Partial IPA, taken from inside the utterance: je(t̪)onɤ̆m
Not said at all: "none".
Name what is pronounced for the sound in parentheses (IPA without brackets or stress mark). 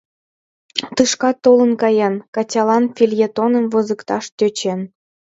t̪